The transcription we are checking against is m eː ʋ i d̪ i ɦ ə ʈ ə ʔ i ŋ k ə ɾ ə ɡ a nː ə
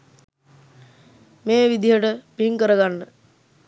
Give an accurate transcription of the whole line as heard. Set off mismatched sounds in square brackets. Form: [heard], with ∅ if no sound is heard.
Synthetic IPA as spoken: m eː ʋ i d̪ i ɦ ə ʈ ə [p] i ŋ k ə ɾ ə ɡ a nː ə